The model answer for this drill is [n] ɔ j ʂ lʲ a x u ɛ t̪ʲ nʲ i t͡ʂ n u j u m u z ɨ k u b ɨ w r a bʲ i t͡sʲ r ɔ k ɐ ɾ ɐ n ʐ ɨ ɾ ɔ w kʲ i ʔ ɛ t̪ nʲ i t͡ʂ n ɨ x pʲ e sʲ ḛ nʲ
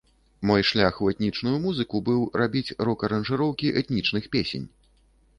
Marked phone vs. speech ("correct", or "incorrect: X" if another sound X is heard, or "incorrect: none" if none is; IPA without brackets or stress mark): incorrect: m